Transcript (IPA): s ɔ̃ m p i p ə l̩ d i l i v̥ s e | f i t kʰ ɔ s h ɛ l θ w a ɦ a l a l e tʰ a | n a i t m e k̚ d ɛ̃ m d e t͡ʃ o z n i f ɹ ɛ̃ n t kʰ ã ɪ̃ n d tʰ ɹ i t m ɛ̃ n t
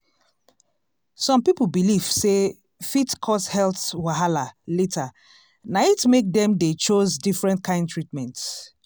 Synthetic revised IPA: s ɔ̃ m p i p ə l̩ b i l i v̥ s e | f i t kʰ ɔ s h ɛ l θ w a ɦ a l a l e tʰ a | n a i t m e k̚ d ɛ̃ m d e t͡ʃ o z d i f ɹ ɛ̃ n t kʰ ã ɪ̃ n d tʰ ɹ i t m ɛ̃ n t

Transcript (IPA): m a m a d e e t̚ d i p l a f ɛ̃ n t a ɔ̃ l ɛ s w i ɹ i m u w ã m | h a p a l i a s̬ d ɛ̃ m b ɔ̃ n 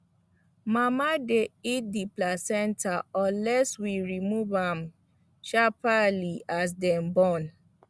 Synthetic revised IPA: m a m a d e i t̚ d i p l a s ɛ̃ n t a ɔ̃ l ɛ s w i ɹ i m u v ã m | ʃ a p a l i a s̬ d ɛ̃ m b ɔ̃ n

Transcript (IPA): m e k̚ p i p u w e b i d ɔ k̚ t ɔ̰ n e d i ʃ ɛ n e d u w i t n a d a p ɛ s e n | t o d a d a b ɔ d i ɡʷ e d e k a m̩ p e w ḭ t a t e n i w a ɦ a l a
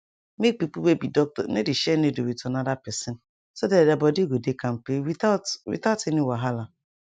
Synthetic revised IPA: m e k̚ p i p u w e b i d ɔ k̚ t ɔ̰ n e d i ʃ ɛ n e d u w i t n a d a p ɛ s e n | s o d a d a b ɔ d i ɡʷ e d e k a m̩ p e w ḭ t a t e n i w a ɦ a l a

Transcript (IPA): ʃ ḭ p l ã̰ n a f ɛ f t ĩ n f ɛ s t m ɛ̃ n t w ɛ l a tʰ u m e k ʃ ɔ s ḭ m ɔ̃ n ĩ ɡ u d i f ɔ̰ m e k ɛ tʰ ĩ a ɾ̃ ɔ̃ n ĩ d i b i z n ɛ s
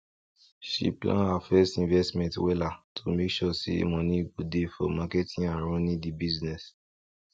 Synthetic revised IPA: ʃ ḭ p l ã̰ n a f ɛ s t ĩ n v ɛ s t m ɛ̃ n t w ɛ l a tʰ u m e k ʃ ɔ s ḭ m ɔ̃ n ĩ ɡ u d e f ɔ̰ m a k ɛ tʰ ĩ a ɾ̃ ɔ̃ n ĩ d i b i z n ɛ s

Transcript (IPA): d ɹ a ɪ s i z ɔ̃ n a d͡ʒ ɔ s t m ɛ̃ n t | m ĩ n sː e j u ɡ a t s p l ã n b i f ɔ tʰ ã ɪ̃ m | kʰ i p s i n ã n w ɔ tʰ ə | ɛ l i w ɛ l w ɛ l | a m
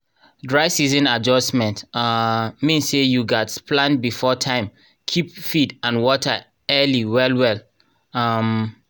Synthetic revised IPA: d ɹ a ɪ s i z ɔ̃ n a d͡ʒ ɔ s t m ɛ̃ n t | m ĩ n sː e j u ɡ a t s p l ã n b i f ɔ tʰ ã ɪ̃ m | kʰ i p f i d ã n w ɔ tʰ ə | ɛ l i w ɛ l w ɛ l | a m

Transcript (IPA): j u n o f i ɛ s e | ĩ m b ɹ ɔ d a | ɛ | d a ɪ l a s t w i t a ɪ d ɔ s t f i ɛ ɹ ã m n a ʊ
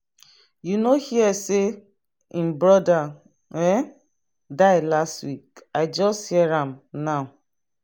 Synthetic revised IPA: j u n o h i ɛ s e | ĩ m b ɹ ɔ d a | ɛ | d a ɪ l a s t w i k a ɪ d͡ʒ ɔ s t h i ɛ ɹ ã m n a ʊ

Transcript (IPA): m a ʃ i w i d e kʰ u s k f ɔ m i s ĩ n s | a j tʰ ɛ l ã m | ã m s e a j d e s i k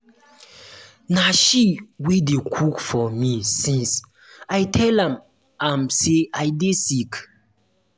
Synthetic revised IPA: n a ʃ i w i d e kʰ u k f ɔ m i s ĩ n s | a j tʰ ɛ l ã m | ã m s e a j d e s i k

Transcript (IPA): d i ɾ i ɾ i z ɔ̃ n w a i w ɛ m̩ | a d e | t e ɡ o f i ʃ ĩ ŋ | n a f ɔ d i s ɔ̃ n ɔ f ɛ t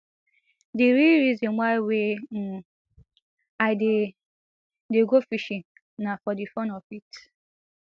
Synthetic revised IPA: d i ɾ i ɾ i z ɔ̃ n w a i w e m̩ | a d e | d e ɡ o f i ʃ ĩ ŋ | n a f ɔ d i f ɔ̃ n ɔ f i t

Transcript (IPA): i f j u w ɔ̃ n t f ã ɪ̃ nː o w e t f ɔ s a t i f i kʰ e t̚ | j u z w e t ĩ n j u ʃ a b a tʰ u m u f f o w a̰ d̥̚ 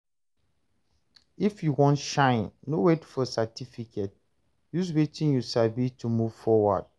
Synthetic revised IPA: i f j u w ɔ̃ n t ʃ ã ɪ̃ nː o w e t f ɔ s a t i f i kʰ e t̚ | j u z w e t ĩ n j u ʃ a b i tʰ u m u v f ɔ w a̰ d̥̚

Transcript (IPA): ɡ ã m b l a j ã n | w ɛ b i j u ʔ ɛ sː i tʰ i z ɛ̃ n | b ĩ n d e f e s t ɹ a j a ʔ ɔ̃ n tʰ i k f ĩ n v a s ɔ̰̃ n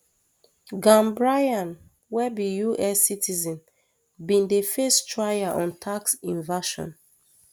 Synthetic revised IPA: ɡ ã m b ɹ a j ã n | w ɛ b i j u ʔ ɛ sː i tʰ i z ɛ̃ n | b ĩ n d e f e s t ɹ a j a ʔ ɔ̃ n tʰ a k s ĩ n v a ʃ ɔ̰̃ n

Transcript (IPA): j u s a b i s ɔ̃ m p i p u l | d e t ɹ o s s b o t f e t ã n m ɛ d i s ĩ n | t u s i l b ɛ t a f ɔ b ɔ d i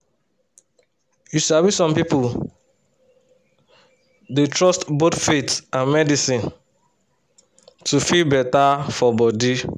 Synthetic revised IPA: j u s a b i s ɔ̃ m p i p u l | d e t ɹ ɔ s t b o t f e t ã n m ɛ d i s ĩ n | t u f i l b ɛ t a f ɔ b ɔ d i

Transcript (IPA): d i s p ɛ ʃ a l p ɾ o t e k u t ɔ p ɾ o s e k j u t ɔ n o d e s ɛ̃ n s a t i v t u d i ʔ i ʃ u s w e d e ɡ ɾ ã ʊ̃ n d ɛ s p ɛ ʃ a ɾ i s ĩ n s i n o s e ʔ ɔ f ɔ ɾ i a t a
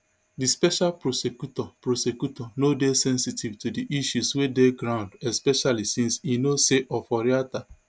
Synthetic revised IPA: d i s p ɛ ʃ a l p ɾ o s e k u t ɔ p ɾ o s e k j u t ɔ n o d e s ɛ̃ n s i t i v t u d i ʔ i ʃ u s w e d e ɡ ɾ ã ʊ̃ n d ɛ s p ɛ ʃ a l i s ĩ n s i n o s e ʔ ɔ f ɔ ɾ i a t a

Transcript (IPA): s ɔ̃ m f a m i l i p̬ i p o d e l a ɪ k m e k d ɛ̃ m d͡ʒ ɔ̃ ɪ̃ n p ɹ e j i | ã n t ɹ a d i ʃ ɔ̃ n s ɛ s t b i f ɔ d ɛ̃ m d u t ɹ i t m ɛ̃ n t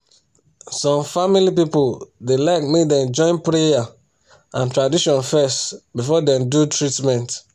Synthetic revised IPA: s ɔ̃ m f a m i l i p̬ i p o d e l a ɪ k m e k d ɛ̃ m d͡ʒ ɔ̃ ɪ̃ n p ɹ e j a | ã n t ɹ a d i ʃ ɔ̃ n f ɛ s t b i f ɔ d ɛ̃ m d u t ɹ i t m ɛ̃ n t

